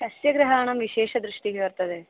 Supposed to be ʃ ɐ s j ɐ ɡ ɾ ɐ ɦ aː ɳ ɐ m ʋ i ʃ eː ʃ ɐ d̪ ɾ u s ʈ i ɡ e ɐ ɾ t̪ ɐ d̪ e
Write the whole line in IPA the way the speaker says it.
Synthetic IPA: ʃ ɐ s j ɐ ɡ ɾ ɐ ɦ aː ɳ ɐ m ʋ i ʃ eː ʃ ɐ d̪ ɾ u ʂ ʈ i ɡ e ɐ ɾ t̪ ɐ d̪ e